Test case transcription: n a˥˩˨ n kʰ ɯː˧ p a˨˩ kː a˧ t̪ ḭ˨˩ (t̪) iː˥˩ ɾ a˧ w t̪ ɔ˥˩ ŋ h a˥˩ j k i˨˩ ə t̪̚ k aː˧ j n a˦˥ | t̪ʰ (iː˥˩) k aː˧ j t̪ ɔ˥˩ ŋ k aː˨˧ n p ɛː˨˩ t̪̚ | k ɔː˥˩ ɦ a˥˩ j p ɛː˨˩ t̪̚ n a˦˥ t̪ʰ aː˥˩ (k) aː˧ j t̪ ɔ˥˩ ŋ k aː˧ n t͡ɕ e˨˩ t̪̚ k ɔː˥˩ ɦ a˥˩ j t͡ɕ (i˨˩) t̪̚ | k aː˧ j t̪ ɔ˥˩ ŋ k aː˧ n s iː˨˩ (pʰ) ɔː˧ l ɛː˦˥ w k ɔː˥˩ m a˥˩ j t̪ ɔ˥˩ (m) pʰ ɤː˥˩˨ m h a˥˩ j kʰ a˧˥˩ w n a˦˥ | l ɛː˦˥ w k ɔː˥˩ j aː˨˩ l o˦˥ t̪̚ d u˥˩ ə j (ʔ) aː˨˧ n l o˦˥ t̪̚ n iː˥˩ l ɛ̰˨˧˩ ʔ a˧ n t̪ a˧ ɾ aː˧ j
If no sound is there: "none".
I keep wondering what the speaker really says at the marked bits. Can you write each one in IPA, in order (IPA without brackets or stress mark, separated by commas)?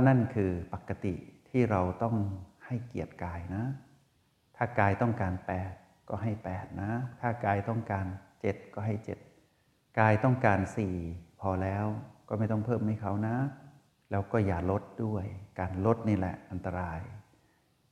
t̪ʰ, aː˥˩, k, e˨˩, pʰ, ŋ, k